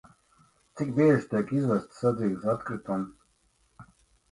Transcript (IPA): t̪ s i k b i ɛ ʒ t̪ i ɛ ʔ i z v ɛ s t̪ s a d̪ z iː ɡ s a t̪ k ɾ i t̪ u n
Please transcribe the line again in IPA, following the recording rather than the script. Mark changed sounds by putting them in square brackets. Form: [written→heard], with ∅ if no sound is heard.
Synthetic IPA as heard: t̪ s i k b i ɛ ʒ t̪ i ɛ [ʔ→k] i z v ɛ s t̪ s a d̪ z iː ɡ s a t̪ k ɾ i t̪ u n